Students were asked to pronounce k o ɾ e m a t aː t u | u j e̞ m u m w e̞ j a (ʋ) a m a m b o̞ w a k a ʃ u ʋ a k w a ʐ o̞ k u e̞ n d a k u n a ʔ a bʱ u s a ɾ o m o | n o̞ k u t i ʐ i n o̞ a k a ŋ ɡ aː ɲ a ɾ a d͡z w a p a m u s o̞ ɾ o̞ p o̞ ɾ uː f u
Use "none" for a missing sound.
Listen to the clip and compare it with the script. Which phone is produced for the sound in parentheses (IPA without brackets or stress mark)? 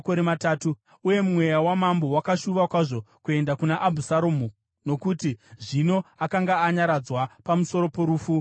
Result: w